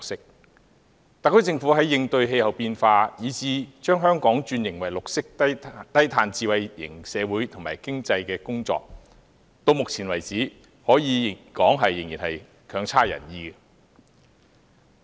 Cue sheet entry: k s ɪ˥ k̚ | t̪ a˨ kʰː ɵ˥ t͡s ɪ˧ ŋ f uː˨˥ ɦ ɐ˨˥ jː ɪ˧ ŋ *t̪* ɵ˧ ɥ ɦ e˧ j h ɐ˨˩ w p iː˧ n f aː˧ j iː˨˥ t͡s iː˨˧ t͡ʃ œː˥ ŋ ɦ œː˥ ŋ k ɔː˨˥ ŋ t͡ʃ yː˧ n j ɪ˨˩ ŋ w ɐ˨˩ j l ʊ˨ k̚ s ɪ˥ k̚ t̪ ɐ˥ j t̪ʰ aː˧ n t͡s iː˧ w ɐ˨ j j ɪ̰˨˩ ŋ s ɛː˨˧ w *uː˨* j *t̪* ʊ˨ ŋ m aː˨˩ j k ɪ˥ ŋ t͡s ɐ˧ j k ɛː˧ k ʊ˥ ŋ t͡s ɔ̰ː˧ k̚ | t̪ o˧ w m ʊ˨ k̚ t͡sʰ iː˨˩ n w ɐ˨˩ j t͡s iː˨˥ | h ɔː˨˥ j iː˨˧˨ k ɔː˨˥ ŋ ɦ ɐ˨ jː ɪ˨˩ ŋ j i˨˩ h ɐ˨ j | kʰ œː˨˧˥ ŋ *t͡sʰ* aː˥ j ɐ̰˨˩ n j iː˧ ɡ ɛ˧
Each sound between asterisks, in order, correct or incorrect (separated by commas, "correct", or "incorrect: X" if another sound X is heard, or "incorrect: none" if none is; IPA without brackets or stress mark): correct, incorrect: uː˨˥, incorrect: t̪ʰ, correct